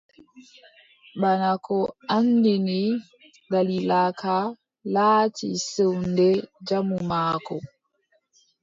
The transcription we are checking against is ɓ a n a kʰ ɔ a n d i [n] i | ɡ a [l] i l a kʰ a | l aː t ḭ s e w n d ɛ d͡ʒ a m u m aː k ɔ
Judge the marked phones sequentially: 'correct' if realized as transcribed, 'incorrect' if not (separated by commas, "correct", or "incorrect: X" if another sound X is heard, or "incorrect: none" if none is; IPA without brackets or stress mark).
correct, correct